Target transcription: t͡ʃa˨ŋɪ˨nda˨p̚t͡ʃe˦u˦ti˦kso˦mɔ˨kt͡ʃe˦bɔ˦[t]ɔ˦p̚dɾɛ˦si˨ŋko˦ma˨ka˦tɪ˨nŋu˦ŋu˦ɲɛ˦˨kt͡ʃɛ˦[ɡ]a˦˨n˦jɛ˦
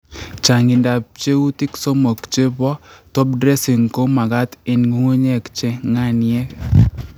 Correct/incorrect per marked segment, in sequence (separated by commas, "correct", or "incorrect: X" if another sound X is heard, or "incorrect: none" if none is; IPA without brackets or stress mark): correct, incorrect: ŋ